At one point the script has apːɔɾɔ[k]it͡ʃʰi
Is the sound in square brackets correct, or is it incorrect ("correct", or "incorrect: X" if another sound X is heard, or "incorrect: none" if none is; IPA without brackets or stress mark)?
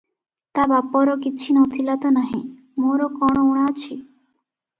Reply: correct